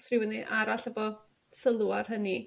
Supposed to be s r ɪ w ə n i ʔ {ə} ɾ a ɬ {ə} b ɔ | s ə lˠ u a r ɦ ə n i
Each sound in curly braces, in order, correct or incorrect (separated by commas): incorrect, correct